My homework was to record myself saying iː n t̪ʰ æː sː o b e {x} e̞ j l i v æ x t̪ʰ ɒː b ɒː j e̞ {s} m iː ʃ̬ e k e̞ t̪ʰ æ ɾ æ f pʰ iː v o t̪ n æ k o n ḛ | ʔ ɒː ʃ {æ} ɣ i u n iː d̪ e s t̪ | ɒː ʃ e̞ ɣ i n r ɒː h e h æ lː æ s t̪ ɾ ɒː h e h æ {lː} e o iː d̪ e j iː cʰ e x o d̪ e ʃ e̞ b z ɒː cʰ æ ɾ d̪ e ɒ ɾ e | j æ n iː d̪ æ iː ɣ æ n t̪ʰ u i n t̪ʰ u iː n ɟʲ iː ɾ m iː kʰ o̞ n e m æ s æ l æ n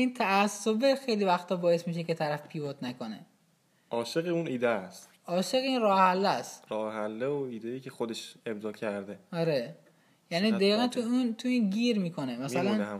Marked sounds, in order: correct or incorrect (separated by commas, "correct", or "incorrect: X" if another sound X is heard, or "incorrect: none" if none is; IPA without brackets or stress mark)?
correct, correct, incorrect: e, correct